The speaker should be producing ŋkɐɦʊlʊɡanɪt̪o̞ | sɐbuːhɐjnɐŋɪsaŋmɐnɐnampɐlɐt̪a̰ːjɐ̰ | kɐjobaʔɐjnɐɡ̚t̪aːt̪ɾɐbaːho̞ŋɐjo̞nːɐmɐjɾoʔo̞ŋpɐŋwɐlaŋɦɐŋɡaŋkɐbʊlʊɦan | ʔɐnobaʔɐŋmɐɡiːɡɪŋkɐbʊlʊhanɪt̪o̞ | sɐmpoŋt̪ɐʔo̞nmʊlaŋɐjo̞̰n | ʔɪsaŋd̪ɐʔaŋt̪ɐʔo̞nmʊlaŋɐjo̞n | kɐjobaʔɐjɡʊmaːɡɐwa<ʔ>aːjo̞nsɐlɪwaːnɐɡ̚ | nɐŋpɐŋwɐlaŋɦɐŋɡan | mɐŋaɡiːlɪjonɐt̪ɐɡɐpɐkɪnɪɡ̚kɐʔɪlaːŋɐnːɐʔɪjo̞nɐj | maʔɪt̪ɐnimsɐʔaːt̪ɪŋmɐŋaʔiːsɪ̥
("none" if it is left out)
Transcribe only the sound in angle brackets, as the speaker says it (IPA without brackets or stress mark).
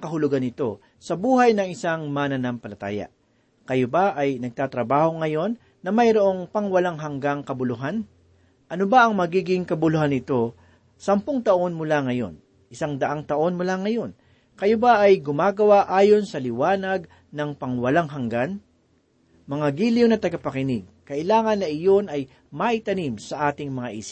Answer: ʔ